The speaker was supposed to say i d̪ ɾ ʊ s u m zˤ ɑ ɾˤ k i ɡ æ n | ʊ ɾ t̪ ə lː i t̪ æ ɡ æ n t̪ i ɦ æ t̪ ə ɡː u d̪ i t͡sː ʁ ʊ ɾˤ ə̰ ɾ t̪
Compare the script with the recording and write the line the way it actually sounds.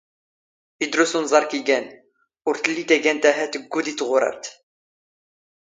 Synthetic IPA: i d̪ ɾ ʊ s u n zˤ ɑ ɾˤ k i ɡ æ n | ʊ ɾ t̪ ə lː i t̪ æ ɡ æ n t̪ æ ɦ æ t̪ ə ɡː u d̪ i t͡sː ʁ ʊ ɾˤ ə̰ ɾ t̪